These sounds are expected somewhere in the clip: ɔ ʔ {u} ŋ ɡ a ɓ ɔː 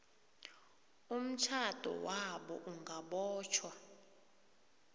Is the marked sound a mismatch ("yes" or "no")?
no